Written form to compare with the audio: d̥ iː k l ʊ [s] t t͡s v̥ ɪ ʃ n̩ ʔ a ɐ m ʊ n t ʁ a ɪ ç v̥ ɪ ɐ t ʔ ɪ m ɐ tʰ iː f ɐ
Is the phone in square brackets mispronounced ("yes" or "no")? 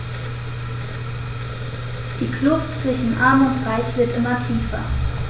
yes